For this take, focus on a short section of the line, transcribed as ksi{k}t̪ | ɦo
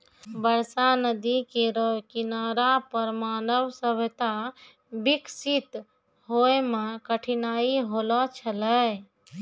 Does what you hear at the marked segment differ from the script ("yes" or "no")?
yes